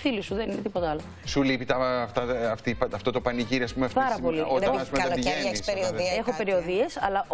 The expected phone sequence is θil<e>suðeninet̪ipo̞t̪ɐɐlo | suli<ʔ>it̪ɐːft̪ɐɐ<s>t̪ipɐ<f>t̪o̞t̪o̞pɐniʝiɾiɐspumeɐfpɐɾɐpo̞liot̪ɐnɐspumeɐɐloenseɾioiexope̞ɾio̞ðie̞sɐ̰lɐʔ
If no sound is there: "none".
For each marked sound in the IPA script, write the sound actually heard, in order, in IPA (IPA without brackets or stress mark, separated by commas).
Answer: i, p, f, f